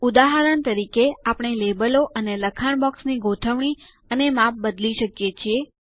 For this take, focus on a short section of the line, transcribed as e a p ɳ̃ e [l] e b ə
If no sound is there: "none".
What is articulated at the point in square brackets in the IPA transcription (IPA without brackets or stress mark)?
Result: l